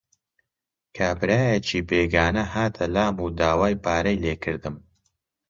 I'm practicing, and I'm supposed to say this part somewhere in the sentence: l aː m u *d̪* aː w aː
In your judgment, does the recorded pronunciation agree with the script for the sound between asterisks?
yes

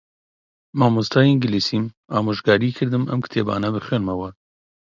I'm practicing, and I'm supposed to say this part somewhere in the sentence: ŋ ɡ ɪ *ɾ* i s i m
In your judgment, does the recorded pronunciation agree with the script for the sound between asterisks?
no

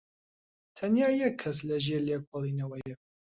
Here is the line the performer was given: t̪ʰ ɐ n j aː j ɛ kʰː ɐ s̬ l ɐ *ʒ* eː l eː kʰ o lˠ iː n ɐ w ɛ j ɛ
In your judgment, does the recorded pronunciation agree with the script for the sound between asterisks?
yes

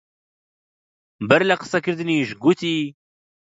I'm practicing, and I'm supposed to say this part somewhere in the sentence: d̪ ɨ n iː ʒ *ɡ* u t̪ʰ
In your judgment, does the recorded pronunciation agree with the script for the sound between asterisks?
yes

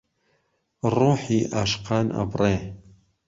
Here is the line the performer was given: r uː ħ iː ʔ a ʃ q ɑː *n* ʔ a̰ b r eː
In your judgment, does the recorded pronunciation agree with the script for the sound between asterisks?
yes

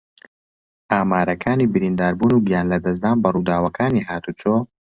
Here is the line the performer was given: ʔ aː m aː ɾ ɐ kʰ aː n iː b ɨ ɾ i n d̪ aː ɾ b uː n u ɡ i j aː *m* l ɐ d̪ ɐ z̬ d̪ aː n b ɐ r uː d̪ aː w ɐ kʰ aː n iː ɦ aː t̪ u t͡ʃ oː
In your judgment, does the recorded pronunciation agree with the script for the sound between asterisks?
no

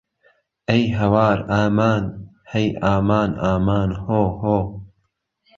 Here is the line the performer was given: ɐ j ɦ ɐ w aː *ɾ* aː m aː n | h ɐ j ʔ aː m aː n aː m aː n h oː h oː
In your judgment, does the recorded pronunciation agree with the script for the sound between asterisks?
yes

